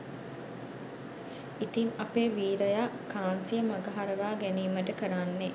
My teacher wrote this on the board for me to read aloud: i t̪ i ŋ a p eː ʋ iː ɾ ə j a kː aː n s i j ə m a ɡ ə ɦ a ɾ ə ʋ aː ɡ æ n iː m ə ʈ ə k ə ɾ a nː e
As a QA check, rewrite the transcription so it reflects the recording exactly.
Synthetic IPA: i t̪ i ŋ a p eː ʋ iː ɾ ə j a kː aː n s i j ə m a ɡ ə ɦ a ɾ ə ʋ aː ɡ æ n iː m ə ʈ ə k ə ɾ a nː e